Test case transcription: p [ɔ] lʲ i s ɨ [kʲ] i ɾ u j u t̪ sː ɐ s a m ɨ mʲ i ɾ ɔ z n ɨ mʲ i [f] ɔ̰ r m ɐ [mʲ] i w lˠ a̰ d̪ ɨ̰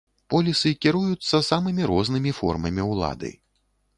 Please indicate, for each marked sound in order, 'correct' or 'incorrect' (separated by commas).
correct, correct, correct, correct